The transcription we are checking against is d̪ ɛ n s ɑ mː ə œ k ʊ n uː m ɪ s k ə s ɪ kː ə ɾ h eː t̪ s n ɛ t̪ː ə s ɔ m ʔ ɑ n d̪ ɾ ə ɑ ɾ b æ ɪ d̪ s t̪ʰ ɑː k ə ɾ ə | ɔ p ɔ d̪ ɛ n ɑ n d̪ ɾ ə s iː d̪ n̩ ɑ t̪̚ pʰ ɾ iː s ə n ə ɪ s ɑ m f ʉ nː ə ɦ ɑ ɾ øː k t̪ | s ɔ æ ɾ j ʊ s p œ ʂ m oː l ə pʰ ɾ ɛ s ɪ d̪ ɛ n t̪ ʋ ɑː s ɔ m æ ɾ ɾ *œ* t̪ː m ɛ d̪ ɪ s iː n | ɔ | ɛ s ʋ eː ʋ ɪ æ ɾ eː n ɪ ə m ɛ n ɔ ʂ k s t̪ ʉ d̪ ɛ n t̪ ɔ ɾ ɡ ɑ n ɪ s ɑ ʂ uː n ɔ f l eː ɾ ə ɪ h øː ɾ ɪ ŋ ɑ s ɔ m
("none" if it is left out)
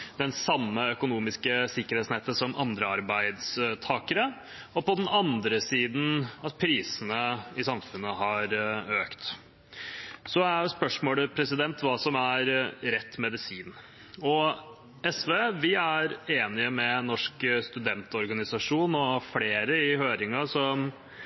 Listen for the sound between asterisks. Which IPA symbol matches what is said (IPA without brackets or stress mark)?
ɛ